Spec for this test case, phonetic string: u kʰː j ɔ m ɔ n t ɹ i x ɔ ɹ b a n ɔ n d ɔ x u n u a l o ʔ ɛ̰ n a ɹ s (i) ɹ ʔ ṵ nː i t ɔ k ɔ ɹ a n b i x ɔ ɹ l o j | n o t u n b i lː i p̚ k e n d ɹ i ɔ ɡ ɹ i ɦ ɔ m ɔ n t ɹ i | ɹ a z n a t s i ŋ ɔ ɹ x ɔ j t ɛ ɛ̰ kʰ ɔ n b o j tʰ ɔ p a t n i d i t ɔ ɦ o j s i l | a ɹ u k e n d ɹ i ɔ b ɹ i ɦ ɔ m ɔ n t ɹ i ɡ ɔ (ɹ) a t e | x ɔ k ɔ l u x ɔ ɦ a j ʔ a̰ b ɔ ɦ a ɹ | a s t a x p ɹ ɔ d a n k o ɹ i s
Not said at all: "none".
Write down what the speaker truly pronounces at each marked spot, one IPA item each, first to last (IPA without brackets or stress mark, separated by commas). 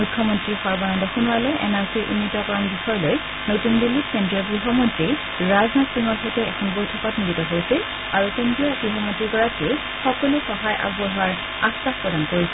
i, ɹ